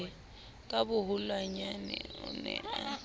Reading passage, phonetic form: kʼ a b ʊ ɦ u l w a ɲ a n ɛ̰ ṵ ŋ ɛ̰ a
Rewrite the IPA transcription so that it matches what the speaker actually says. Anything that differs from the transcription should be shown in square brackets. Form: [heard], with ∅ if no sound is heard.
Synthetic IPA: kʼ a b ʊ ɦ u l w a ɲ a n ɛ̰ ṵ [n] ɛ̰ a